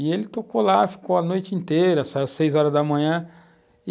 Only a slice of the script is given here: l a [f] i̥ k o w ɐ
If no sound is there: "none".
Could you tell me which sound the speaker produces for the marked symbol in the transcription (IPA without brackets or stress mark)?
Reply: f